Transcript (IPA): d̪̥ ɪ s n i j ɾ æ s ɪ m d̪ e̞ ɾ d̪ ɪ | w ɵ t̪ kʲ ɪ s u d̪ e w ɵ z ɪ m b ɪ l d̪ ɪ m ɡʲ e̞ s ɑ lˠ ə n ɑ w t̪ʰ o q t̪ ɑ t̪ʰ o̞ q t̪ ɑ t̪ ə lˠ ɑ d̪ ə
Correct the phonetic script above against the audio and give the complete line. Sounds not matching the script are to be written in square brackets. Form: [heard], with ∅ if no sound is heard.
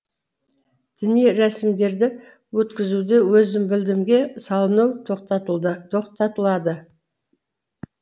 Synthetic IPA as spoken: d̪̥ ɪ [∅] n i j ɾ æ s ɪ m d̪ e̞ ɾ d̪ ɪ | w ɵ t̪ kʲ ɪ [z] u d̪ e w ɵ z ɪ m b ɪ l d̪ ɪ m ɡʲ e̞ s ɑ lˠ ə n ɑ w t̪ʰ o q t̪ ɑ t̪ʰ o̞ q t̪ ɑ t̪ ə lˠ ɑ d̪ ə